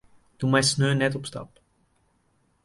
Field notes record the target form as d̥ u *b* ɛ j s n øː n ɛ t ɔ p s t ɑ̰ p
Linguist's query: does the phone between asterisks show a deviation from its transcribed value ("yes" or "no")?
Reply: yes